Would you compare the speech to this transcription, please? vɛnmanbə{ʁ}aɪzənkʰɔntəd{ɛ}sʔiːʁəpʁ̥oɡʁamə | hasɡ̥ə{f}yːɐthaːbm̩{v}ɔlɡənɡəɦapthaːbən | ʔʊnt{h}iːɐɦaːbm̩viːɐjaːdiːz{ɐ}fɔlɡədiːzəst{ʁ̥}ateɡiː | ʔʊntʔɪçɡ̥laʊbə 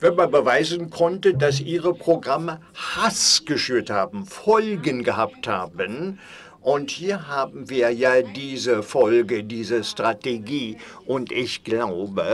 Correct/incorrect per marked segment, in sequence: incorrect: v, incorrect: a, incorrect: ʃ, incorrect: f, correct, incorrect: ə, correct

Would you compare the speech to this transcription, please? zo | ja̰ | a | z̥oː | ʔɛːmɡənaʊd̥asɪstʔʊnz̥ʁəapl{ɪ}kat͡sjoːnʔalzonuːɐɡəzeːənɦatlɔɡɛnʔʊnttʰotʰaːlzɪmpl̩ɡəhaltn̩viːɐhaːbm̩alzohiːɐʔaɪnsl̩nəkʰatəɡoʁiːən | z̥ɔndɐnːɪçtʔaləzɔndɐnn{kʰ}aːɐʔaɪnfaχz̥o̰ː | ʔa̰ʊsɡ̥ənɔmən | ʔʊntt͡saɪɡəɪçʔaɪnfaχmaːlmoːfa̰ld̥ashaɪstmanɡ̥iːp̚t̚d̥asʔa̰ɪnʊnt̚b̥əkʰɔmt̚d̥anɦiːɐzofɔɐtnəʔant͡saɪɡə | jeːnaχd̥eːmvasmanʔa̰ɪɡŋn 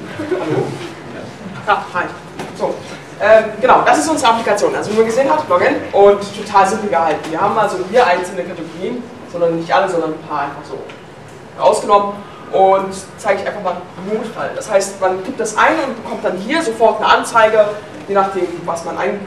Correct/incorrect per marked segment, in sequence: incorrect: i, incorrect: pʰ

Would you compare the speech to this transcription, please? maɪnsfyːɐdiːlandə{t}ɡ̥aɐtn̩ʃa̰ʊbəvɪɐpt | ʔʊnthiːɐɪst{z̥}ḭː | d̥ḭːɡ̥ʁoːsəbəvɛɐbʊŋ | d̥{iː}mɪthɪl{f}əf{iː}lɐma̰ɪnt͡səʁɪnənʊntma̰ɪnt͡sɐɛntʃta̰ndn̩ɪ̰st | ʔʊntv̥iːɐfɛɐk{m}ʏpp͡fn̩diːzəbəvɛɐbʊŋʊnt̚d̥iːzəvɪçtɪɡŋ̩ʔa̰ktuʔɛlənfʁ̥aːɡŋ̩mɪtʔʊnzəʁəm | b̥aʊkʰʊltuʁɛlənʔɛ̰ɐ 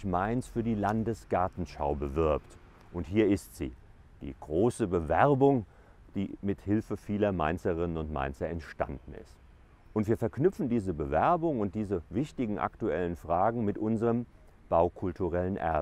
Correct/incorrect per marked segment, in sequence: incorrect: s, correct, correct, correct, correct, incorrect: n

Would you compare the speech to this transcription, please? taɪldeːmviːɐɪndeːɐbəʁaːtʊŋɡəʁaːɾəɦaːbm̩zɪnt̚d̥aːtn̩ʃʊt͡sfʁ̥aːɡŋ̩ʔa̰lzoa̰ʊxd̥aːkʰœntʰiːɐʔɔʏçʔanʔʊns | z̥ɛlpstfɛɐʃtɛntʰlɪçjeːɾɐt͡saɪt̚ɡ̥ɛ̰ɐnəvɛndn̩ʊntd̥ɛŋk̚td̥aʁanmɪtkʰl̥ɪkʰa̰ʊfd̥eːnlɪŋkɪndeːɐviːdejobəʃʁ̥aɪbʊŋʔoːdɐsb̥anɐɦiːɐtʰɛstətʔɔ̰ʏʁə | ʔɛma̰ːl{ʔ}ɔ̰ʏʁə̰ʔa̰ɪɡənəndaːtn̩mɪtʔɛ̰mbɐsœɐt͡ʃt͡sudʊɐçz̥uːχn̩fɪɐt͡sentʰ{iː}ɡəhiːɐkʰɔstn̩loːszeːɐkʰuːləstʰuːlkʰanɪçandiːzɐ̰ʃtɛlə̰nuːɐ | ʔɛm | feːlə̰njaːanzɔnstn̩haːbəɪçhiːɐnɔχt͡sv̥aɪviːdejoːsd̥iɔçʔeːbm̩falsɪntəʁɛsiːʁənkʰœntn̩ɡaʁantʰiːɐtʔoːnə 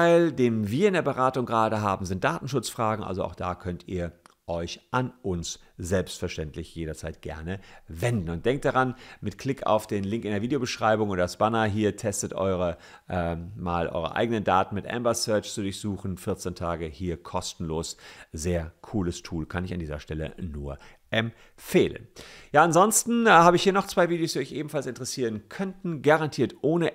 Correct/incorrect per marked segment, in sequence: correct, incorrect: aː

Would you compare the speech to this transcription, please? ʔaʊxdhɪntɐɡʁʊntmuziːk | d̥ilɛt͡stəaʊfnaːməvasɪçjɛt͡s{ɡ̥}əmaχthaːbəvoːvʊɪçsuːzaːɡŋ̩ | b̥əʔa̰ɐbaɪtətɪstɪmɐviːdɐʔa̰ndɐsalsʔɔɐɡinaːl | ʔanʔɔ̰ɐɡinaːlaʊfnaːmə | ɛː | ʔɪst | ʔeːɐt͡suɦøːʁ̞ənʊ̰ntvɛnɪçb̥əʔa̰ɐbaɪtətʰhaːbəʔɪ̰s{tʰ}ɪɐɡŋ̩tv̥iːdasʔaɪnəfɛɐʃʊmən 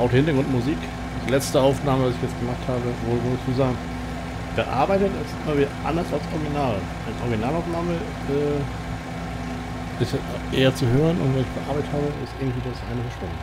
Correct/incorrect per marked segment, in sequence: correct, incorrect: t

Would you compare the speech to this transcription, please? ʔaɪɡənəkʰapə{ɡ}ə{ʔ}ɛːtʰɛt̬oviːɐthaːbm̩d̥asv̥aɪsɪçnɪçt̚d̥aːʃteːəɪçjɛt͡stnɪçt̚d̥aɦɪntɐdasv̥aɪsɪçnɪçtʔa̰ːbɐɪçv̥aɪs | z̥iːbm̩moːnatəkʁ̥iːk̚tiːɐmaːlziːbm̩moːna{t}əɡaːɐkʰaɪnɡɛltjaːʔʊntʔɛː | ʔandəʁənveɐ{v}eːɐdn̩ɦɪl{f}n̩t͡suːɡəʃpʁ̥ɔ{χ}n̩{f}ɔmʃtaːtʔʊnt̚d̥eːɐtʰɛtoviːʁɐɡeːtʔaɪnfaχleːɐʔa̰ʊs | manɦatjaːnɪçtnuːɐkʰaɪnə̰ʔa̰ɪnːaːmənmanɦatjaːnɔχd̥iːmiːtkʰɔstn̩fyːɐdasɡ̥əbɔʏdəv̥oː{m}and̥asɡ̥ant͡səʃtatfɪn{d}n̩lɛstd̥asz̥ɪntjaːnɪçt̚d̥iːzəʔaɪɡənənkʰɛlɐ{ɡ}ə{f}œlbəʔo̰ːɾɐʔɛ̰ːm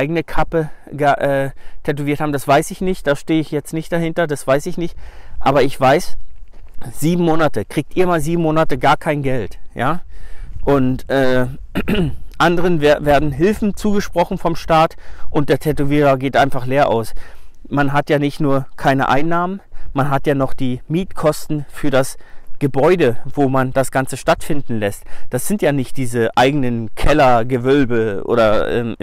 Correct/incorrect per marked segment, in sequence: correct, correct, correct, correct, correct, correct, correct, correct, correct, correct, incorrect: v

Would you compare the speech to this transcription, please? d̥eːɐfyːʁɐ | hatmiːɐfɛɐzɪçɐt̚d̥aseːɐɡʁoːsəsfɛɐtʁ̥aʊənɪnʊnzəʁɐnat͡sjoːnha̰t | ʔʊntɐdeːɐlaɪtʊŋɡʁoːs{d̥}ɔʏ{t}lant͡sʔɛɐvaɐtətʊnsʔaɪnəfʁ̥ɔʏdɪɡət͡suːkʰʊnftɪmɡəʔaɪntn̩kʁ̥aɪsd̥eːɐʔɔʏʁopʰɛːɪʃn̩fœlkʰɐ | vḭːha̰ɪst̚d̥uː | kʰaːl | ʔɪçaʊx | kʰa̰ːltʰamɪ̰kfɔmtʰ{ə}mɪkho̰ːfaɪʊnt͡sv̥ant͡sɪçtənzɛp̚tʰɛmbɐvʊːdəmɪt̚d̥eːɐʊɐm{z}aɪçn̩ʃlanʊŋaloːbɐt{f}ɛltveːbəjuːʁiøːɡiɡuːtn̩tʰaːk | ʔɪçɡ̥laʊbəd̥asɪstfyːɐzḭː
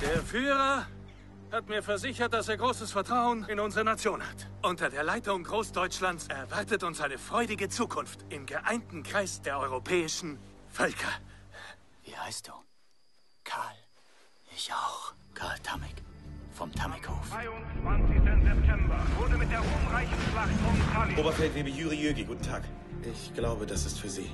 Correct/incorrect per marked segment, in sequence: correct, incorrect: t͡ʃ, incorrect: a, incorrect: ʁ, correct

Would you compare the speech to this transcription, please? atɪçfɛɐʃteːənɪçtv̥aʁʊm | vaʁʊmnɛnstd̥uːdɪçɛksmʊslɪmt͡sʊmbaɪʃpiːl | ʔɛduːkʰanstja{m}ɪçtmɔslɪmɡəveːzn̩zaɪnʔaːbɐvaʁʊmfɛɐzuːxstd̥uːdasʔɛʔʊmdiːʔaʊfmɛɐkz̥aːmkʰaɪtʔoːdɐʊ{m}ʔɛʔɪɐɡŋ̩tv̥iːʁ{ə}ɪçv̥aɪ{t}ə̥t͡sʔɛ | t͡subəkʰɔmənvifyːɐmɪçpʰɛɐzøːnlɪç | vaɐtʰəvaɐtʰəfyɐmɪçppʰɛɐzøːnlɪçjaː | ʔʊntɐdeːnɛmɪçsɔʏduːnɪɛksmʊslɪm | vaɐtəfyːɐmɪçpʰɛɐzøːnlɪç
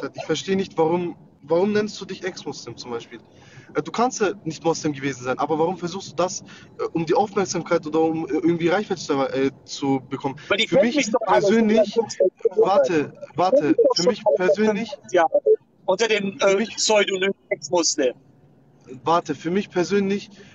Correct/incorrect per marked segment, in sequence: incorrect: n, correct, incorrect: a, correct

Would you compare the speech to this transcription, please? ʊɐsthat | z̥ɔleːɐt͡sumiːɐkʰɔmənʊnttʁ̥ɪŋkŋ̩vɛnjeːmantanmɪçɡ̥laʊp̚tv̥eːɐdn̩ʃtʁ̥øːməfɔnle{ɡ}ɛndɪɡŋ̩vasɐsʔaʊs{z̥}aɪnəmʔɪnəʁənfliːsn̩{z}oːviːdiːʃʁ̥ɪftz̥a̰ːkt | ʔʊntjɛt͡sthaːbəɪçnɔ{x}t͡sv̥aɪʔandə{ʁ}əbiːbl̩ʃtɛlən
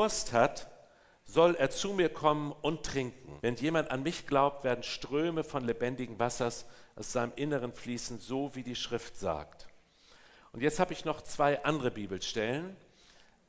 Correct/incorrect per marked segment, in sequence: incorrect: b, correct, correct, incorrect: χ, correct

